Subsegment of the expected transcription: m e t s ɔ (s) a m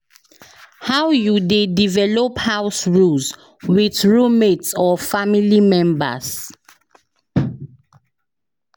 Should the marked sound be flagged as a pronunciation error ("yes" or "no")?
yes